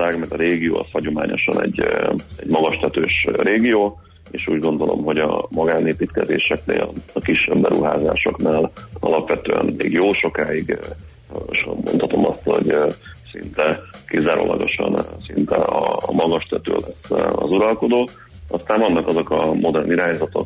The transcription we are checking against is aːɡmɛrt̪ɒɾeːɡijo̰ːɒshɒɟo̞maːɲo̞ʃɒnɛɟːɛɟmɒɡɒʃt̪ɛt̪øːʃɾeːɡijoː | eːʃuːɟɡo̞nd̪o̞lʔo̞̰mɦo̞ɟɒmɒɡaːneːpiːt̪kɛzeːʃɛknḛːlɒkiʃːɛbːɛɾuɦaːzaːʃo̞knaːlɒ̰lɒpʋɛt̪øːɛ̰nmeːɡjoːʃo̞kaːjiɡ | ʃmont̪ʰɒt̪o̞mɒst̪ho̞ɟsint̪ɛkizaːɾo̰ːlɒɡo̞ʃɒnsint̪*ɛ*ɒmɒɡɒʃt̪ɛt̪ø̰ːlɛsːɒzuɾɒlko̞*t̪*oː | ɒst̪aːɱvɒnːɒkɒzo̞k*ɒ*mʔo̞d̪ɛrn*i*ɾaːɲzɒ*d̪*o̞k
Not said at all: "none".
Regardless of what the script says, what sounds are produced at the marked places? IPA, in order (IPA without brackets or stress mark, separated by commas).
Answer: ɛ, d̪, ɒ, i, t̪